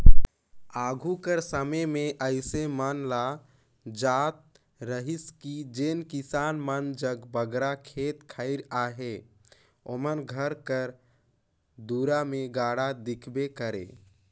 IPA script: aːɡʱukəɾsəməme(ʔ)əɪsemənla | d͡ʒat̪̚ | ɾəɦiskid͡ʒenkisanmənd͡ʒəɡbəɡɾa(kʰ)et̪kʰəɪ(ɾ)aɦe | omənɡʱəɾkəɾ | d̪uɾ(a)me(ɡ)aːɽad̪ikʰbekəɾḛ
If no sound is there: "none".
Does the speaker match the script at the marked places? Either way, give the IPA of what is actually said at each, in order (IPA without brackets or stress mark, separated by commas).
ʔ, kʰ, ɾ, a, ɡ